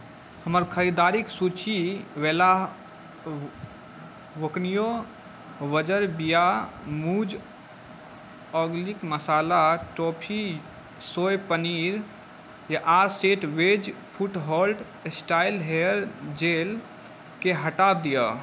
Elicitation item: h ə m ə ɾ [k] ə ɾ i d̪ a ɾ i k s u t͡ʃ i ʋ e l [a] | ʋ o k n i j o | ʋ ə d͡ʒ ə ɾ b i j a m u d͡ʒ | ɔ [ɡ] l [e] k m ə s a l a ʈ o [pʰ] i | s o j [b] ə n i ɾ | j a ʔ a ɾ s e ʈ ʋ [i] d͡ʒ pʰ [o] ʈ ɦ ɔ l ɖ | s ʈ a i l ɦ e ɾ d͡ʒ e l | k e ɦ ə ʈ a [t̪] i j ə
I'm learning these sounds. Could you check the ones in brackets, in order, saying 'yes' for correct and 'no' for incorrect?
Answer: no, yes, yes, no, yes, no, no, no, no

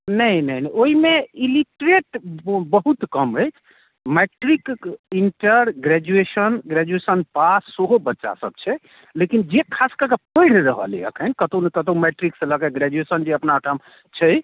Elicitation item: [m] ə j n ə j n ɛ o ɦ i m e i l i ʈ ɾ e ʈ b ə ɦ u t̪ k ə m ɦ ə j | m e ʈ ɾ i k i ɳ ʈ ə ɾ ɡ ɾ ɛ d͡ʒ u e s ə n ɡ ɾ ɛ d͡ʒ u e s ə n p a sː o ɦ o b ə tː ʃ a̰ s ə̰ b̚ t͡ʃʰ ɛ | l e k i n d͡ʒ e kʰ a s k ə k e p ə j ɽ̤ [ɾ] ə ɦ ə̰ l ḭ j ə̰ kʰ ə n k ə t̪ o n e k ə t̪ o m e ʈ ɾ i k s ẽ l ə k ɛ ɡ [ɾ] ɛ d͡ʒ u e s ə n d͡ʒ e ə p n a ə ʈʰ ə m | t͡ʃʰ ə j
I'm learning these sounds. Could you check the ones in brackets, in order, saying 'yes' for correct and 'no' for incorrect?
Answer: no, yes, yes

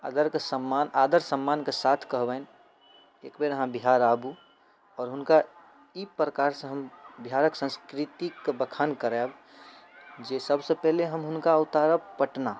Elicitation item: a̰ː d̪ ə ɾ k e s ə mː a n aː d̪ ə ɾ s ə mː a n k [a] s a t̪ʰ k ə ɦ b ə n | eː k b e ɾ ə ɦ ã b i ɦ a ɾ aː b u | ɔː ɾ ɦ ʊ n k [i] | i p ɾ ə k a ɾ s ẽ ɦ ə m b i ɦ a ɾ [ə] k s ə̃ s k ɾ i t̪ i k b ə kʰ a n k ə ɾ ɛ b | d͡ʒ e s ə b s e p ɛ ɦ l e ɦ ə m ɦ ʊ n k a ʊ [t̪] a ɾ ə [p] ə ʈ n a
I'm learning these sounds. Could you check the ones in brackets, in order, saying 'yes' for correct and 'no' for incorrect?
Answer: no, no, yes, yes, yes

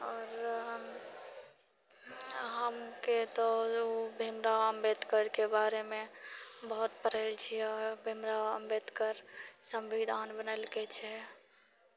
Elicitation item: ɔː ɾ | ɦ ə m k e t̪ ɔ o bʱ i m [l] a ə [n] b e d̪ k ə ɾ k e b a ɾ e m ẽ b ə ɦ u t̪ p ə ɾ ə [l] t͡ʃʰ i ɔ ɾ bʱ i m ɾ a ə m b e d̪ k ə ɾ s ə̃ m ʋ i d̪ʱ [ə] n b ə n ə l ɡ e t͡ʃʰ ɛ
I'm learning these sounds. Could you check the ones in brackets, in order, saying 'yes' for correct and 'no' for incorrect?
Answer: no, no, yes, no

